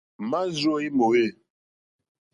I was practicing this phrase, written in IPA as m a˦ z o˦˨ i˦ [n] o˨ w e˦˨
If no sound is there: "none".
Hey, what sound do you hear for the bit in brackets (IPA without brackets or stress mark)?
m